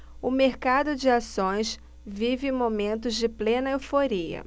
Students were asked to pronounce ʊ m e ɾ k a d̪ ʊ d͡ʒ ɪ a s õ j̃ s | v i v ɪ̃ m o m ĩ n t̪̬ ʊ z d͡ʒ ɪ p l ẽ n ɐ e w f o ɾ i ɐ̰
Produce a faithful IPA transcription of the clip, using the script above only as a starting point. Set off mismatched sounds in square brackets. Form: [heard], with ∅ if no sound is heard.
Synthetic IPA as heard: ʊ m e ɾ k a d̪ ʊ d͡ʒ ɪ a s õ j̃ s | v i v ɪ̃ m o m [ẽ] n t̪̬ ʊ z d͡ʒ ɪ p l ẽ n ɐ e w f o ɾ i ɐ̰